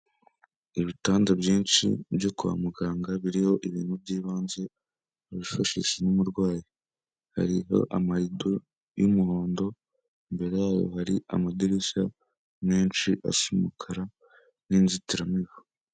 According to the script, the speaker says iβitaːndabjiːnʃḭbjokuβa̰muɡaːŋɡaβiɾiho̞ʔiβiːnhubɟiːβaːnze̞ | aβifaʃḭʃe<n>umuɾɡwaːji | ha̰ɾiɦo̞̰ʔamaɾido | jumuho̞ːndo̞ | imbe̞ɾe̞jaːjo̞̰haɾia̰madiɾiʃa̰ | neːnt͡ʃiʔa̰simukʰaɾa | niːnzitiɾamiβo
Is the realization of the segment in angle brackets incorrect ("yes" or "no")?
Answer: no